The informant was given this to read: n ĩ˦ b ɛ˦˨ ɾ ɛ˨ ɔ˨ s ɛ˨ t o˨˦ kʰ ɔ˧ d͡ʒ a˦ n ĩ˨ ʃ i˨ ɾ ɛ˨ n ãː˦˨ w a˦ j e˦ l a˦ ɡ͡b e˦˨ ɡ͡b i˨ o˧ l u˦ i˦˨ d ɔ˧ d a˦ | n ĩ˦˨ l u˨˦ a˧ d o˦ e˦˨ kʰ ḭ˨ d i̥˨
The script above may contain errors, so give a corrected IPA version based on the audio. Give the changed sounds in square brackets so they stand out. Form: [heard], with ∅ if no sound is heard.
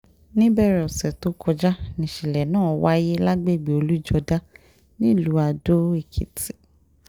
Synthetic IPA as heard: n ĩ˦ b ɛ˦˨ ɾ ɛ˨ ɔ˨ s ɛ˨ t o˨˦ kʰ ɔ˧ d͡ʒ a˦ n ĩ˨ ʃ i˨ [l] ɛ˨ n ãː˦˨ w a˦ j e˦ l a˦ ɡ͡b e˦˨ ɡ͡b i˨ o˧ l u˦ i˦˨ [d͡ʒ] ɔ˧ d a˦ | n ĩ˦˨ l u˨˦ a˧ d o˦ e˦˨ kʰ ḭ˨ [t] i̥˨